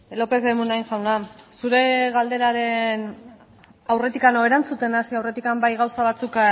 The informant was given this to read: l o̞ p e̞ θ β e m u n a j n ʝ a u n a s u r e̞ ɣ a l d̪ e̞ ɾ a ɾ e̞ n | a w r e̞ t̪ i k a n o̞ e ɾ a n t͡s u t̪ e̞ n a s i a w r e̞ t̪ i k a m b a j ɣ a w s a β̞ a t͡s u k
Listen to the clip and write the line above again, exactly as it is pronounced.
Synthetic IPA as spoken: l o̞ p e̞ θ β e m u n a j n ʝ a w n a s u ɾ e̞ ɣ a l d̪ e̞ ɾ a ɾ e̞ n | a w r e̞ t̪ i k a n o̞ e ɾ a n t͡s u t̪ e̞ n a s i a w r e̞ t̪ i k a m b a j ɣ a w s a β̞ a t͡s u k